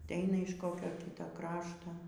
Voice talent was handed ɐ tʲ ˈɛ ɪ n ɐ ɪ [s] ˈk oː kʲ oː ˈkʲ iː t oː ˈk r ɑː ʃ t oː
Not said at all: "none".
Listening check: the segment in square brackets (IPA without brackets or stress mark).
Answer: ʃ